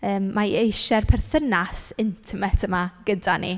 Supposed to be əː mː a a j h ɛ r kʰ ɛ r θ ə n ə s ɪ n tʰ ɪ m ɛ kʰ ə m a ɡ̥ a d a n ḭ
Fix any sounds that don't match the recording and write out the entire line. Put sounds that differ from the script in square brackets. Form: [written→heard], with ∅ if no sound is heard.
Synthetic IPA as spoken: əː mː a [a→e] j [h→ʃ] ɛ r [kʰ→pʰ] ɛ r θ ə n [ə→a] s ɪ n tʰ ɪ m ɛ [kʰ→tʰ] ə m a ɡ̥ [a→ə] d a n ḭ